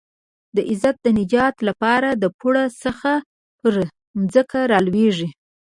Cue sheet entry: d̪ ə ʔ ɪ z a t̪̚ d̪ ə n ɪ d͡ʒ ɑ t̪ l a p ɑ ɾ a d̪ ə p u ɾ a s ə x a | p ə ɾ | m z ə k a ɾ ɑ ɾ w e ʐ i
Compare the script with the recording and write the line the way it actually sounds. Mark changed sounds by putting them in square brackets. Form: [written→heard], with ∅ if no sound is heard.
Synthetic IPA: d̪ ə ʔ ɪ z a t̪̚ d̪ ə n ɪ d͡ʒ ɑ t̪ l a p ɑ ɾ a d̪ ə p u [ɾ→ɽ] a s ə x a | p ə ɾ | m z ə k a ɾ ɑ [ɾ→l] w e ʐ i